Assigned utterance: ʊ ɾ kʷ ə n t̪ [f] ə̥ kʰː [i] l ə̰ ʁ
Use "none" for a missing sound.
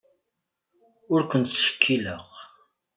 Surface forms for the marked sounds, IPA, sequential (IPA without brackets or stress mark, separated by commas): ʃ, i